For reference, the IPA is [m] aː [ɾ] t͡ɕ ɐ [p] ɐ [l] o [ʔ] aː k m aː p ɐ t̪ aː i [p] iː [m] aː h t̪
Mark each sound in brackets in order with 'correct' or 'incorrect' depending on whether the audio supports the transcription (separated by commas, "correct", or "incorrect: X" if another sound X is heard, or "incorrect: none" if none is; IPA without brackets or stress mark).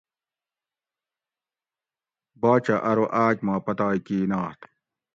incorrect: b, incorrect: none, incorrect: ʔ, incorrect: ɾ, correct, incorrect: k, incorrect: n